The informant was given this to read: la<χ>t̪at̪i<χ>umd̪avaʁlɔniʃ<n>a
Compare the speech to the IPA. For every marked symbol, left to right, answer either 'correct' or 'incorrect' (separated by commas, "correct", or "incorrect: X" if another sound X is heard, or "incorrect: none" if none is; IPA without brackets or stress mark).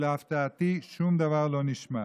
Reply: incorrect: f, incorrect: ʃ, incorrect: m